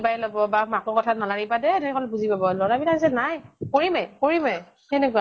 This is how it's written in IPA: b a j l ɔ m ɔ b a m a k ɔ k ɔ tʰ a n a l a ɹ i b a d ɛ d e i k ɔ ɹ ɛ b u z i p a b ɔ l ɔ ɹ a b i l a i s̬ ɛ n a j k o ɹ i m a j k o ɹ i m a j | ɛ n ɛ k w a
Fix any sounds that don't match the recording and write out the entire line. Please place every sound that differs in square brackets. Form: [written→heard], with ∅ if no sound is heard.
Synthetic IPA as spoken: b a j l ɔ [m→b] ɔ b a m a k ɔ k ɔ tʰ a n a l a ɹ i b a d ɛ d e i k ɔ [ɹ→l] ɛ b u z i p a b ɔ l ɔ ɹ a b i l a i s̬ ɛ n a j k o ɹ i m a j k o ɹ i m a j | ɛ n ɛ k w a